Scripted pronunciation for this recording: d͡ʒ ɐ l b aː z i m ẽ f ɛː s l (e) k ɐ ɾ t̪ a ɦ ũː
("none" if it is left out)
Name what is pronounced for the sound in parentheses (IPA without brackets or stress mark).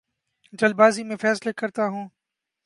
e